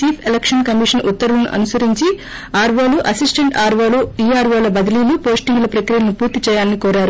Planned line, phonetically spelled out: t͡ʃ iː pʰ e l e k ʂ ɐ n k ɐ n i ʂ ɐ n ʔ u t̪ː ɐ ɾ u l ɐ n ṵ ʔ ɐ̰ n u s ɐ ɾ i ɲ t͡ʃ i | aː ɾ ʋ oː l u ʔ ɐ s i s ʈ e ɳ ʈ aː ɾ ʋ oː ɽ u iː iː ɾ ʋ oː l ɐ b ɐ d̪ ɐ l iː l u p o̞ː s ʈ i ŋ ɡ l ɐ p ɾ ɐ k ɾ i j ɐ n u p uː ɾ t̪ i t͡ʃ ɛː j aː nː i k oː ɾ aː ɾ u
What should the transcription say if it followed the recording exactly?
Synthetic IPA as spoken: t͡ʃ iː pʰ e l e k ʂ ɐ n k ɐ m i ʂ ɐ n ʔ u t̪ː ɐ ɾ u l ɐ n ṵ ʔ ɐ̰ n u s ɐ ɾ i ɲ t͡ʃ i | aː ɾ ʋ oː l u ʔ ɐ s i s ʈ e ɳ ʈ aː ɾ ʋ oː l u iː aː ɾ ʋ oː l ɐ b ɐ d̪ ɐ l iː l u p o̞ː s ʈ i ŋ ɡ l ɐ p ɾ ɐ k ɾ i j ɐ n u p uː ɾ t̪ i t͡ʃ ɛː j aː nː i k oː ɾ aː ɾ u